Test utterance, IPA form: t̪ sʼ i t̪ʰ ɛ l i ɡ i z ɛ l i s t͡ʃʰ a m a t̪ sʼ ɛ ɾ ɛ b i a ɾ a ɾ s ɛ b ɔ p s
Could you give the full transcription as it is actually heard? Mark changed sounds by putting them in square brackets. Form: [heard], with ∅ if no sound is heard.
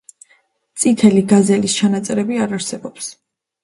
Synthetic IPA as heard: t̪ sʼ i t̪ʰ ɛ l i ɡ [a] z ɛ l i s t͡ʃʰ a [n] a t̪ sʼ ɛ ɾ ɛ b i a ɾ a ɾ s ɛ b ɔ p s